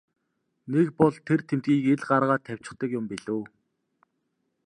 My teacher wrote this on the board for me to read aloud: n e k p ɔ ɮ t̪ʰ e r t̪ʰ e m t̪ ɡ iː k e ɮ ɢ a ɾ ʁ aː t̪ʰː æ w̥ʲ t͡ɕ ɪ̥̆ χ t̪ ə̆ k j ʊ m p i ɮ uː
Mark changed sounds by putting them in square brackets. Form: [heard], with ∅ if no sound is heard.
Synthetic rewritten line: n e k p ɔ ɮ t̪ʰ e r t̪ʰ e m t̪ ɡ iː k e ɮ ɢ a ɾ ʁ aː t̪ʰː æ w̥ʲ t͡ɕ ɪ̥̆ χ t̪ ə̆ k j ʊ m p i ɮ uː